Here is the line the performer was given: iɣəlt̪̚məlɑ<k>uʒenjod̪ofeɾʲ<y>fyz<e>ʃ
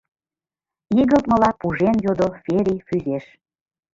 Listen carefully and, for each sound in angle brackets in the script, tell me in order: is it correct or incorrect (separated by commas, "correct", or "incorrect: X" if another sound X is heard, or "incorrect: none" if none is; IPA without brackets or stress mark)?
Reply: incorrect: p, incorrect: i, correct